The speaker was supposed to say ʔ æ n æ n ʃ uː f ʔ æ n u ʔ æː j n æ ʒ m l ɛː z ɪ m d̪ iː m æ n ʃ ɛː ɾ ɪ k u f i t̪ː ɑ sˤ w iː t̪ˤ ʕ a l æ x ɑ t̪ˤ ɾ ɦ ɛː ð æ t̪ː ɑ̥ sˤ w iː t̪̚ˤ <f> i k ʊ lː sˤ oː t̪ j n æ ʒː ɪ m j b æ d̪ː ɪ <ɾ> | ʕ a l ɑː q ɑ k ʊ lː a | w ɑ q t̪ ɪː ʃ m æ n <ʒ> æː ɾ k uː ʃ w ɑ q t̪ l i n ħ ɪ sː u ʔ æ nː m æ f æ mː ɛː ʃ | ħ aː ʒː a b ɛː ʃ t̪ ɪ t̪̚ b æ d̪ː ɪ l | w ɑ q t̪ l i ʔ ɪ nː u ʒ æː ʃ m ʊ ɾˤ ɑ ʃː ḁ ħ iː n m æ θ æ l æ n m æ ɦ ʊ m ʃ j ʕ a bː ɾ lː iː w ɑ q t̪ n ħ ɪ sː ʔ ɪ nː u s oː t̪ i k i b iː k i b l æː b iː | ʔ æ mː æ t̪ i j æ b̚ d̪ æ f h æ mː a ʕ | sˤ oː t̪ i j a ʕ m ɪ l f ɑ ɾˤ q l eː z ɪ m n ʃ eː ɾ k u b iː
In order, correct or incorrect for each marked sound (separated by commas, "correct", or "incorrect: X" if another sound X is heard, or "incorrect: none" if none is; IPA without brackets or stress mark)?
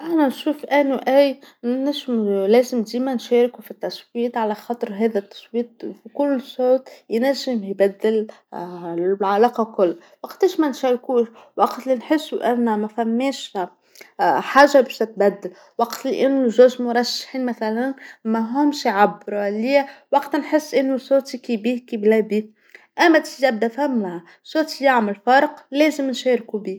correct, incorrect: l, incorrect: ʃ